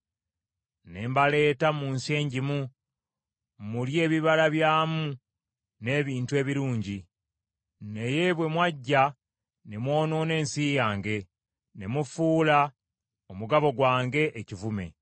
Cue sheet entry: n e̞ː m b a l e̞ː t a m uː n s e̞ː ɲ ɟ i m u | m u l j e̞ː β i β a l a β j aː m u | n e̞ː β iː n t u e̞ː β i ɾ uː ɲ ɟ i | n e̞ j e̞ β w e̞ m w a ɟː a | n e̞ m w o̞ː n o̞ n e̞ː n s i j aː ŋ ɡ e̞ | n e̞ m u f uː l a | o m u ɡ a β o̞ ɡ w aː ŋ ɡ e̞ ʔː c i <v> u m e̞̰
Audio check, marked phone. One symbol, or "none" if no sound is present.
v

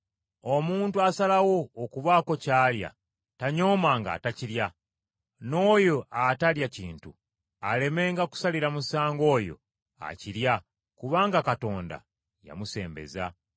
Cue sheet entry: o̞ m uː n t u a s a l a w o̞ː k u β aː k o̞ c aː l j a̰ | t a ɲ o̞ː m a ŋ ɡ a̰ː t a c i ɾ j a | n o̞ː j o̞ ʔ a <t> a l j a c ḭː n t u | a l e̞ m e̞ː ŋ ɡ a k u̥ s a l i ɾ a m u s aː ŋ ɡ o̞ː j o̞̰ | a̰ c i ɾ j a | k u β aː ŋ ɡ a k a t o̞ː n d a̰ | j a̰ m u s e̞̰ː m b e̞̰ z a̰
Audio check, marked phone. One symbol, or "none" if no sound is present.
t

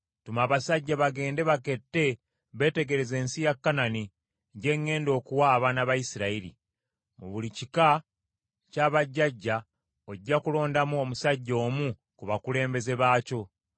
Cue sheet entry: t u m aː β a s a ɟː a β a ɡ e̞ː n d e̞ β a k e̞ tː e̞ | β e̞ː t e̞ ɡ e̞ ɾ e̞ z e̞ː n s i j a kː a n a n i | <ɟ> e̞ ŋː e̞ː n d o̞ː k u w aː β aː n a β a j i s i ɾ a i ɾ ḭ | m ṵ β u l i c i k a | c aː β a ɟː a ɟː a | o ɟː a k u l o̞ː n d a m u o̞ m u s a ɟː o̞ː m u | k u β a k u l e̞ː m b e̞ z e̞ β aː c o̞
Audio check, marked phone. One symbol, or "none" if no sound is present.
ɟ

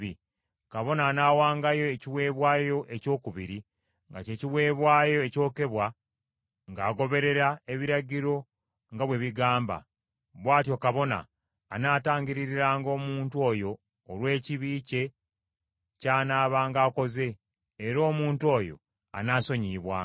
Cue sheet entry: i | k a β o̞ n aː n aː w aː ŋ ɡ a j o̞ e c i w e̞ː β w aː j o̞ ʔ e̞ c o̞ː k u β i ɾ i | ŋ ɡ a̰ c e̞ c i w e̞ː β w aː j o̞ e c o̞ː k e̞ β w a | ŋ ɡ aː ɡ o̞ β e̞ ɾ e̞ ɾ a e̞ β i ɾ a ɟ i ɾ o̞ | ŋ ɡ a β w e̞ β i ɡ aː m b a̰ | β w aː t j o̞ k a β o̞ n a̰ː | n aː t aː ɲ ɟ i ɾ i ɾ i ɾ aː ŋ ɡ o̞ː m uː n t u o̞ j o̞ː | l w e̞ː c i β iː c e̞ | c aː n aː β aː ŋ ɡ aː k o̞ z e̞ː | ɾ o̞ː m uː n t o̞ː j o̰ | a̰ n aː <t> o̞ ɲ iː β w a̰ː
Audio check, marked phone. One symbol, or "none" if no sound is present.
s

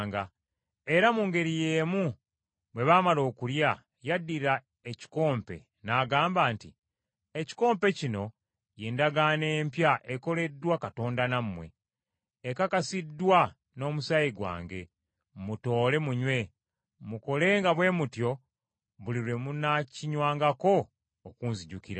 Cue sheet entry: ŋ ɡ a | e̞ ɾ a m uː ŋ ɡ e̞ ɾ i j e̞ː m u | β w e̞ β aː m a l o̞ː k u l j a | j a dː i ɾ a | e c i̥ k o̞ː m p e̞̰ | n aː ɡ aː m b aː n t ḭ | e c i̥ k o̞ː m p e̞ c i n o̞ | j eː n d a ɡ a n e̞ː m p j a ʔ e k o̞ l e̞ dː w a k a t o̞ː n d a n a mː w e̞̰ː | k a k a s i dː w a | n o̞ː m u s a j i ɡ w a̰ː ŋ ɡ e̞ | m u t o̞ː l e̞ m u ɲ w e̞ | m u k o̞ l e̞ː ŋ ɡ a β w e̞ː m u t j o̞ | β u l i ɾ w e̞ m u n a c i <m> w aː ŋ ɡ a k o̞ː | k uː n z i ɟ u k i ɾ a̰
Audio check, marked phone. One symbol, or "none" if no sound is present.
ɲ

